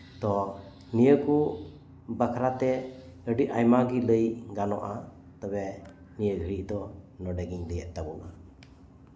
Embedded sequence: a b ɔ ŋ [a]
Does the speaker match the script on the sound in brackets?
yes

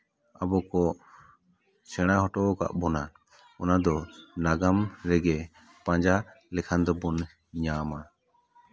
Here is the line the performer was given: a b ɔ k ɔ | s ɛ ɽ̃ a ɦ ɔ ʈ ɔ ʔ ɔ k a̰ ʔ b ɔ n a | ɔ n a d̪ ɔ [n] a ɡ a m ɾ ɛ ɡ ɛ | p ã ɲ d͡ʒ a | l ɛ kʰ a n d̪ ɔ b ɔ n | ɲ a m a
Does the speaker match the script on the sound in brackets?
yes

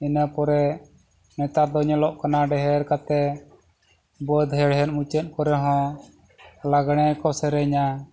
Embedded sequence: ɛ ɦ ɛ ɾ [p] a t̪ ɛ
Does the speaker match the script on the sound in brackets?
no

